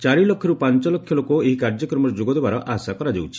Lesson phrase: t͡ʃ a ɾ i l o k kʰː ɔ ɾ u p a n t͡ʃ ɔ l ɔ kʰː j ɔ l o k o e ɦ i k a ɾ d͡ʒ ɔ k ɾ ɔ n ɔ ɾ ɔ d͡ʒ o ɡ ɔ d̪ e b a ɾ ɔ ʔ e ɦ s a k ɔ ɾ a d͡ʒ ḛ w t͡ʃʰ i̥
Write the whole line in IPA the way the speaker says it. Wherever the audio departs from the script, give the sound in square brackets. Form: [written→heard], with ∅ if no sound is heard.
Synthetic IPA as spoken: t͡ʃ a ɾ i l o k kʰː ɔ ɾ u p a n t͡ʃ ɔ l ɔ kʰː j ɔ l o k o e ɦ i k a ɾ d͡ʒ ɔ k ɾ ɔ [n→m] ɔ ɾ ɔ d͡ʒ o ɡ ɔ d̪ e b a ɾ ɔ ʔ [e→a] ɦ s a k ɔ ɾ a d͡ʒ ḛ w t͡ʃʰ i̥

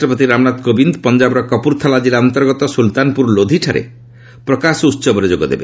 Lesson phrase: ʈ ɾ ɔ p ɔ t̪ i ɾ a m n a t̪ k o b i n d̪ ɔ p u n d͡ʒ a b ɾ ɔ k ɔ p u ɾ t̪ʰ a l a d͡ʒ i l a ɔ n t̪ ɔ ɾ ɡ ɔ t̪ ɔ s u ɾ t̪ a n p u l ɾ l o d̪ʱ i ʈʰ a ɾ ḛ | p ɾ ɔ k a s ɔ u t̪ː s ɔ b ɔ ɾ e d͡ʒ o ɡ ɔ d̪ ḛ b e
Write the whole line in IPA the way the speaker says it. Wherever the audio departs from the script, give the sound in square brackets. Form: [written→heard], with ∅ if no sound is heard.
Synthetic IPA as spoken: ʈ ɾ ɔ p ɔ t̪ i ɾ a m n a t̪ k o b i n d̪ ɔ p [u→ɔ] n d͡ʒ a b ɾ ɔ k ɔ p u ɾ t̪ʰ a l a d͡ʒ i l a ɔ n t̪ ɔ ɾ ɡ ɔ t̪ ɔ s u [ɾ→l] t̪ a n p u [l→∅] ɾ l o d̪ʱ i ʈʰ a ɾ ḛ | p ɾ ɔ k a s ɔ u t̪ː s ɔ b ɔ ɾ e d͡ʒ o ɡ ɔ d̪ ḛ b e

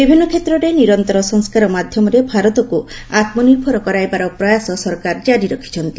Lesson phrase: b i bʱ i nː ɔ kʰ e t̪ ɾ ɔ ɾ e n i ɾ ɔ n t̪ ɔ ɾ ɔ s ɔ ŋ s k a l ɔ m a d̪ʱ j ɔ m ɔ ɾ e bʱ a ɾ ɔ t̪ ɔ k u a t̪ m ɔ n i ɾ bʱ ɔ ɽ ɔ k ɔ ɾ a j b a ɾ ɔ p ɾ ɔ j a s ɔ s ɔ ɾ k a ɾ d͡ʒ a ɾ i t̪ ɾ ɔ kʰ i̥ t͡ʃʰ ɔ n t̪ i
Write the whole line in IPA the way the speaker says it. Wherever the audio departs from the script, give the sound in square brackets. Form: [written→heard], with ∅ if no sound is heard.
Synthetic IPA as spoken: b i bʱ i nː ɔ kʰ e t̪ ɾ ɔ ɾ e n i ɾ ɔ n t̪ ɔ ɾ ɔ s ɔ ŋ s k a [l→ɾ] ɔ m a d̪ʱ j ɔ m ɔ ɾ e bʱ a ɾ ɔ t̪ ɔ k u a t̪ m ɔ n i ɾ bʱ ɔ [ɽ→ɾ] ɔ k ɔ ɾ a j b a ɾ ɔ p ɾ ɔ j a s ɔ s ɔ ɾ k a ɾ d͡ʒ a ɾ i [t̪→∅] ɾ ɔ kʰ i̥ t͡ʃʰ ɔ n t̪ i

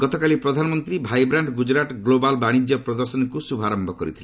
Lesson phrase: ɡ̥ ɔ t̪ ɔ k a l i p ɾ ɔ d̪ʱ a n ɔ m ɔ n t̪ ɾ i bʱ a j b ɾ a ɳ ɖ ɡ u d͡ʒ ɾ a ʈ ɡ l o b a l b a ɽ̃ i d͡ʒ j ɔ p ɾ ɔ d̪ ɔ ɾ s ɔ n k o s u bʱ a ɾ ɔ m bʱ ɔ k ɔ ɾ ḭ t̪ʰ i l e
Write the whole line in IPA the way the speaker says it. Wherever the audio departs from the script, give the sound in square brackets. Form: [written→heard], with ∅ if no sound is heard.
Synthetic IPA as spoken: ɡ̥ ɔ t̪ ɔ k a l i p ɾ ɔ d̪ʱ a n ɔ m ɔ n t̪ ɾ i bʱ a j b ɾ a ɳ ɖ ɡ u d͡ʒ ɾ a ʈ ɡ l o b a l b a ɽ̃ i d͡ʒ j ɔ p ɾ ɔ d̪ ɔ ɾ s ɔ n k [o→u] s u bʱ a ɾ ɔ m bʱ ɔ k ɔ ɾ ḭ t̪ʰ i l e

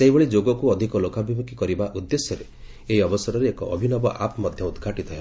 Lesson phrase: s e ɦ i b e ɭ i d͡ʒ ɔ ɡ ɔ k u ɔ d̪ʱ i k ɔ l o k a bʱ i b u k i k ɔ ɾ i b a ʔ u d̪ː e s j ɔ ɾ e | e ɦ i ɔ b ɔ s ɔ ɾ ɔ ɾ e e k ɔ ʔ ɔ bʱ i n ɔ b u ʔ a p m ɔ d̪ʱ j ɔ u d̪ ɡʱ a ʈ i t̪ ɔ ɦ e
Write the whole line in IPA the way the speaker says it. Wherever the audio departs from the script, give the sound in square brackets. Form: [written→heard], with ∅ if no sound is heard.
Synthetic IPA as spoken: s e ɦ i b e ɭ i d͡ʒ [ɔ→o] ɡ ɔ k u ɔ d̪ʱ i k ɔ l o k a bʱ i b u k i k ɔ ɾ i b a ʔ u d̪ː e s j ɔ ɾ e | e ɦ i ɔ b ɔ s ɔ ɾ ɔ ɾ e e k ɔ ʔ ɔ bʱ i n ɔ b [u→ɔ] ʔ a p m ɔ d̪ʱ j ɔ u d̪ ɡʱ a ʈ i t̪ ɔ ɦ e

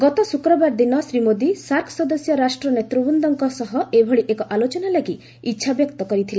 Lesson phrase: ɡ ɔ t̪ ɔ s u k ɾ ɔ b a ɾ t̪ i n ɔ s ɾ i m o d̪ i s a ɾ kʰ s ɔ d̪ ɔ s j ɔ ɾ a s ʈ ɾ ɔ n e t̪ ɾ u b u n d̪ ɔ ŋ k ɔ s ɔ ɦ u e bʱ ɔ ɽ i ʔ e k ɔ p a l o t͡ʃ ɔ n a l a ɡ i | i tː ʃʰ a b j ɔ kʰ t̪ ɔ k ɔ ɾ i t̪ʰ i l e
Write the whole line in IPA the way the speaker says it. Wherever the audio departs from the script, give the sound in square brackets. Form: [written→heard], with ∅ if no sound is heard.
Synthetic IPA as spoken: ɡ ɔ t̪ ɔ s u k ɾ ɔ b a ɾ [t̪→d̪] i n ɔ s ɾ i m o d̪ i s a ɾ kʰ s ɔ d̪ ɔ s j ɔ ɾ a s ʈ ɾ ɔ n e t̪ ɾ u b u n d̪ ɔ ŋ k ɔ s ɔ ɦ [u→ɔ] e bʱ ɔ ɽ i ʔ e k ɔ [p→ʔ] a l o t͡ʃ ɔ n a l a ɡ i | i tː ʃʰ a b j ɔ [kʰ→k] t̪ ɔ k ɔ ɾ i t̪ʰ i l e

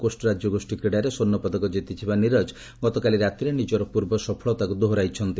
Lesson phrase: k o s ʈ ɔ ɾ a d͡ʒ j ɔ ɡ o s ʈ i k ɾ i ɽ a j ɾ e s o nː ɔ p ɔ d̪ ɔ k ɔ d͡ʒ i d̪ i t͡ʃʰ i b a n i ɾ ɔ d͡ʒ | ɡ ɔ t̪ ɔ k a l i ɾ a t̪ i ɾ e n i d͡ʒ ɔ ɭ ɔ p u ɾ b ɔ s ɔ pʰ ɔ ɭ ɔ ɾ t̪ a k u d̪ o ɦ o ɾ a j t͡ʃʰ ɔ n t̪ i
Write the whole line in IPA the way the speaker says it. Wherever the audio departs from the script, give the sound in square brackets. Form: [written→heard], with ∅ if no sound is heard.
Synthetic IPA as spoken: k o s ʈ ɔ ɾ a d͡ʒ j ɔ ɡ o s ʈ i k ɾ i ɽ a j ɾ e s o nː ɔ p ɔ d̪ ɔ k ɔ d͡ʒ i [d̪→t̪] i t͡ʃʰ i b a n i ɾ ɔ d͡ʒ | ɡ ɔ t̪ ɔ k a l i ɾ a t̪ i ɾ e n i d͡ʒ ɔ [ɭ→ɾ] ɔ p u ɾ b ɔ s ɔ pʰ ɔ ɭ ɔ [ɾ→∅] t̪ a k u d̪ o ɦ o ɾ a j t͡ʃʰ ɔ n t̪ i

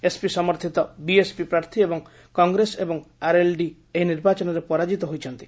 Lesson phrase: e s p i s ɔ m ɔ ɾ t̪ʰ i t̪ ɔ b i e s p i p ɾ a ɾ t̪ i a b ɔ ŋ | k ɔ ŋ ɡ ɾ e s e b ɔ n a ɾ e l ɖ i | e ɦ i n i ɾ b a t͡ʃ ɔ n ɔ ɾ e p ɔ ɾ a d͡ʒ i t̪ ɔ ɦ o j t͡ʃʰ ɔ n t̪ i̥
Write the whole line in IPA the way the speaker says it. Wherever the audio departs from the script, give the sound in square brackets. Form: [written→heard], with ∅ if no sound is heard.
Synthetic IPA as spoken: e s p i s ɔ m ɔ ɾ t̪ʰ i t̪ ɔ b i e s p i p ɾ a ɾ [t̪→t̪ʰ] i [a→e] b ɔ ŋ | k ɔ ŋ ɡ ɾ e s e b ɔ [n→ŋ] a ɾ e l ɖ i | e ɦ i n i ɾ b a t͡ʃ ɔ n ɔ ɾ e p ɔ ɾ a d͡ʒ i t̪ ɔ ɦ o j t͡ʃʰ ɔ n t̪ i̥

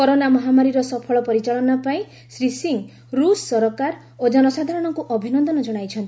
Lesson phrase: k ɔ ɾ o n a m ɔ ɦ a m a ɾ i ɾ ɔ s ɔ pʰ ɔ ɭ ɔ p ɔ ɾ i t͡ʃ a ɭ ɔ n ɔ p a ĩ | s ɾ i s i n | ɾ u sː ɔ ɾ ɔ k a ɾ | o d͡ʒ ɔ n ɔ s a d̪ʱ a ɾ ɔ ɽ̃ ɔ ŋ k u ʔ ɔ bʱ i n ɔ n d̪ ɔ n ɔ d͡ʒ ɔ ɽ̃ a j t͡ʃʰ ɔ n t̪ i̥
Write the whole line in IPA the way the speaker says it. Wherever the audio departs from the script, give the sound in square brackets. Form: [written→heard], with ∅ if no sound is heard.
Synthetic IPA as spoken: k ɔ ɾ o n a m ɔ ɦ a m a ɾ i ɾ ɔ s ɔ pʰ ɔ ɭ ɔ p ɔ ɾ i t͡ʃ a ɭ ɔ n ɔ p a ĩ | s ɾ i s i [n→ŋ] | ɾ u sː ɔ ɾ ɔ k a ɾ | o d͡ʒ ɔ n ɔ s a d̪ʱ a ɾ ɔ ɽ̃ ɔ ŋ k u ʔ ɔ bʱ i n ɔ n d̪ ɔ n ɔ d͡ʒ ɔ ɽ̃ a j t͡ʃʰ ɔ n t̪ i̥

